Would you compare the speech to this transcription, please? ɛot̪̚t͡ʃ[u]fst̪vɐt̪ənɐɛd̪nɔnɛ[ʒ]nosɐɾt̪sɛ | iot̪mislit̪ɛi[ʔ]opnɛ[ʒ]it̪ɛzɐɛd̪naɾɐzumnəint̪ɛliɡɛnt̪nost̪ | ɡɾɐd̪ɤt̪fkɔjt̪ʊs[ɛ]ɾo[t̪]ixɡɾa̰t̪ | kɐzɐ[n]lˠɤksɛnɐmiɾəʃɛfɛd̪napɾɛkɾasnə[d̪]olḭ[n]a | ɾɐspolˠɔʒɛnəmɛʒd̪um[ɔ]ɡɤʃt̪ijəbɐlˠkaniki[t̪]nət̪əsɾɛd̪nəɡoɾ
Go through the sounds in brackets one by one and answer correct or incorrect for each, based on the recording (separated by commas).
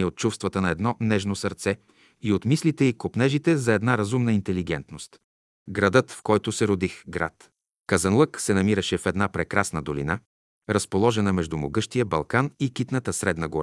correct, correct, incorrect, correct, correct, incorrect, correct, correct, correct, incorrect, correct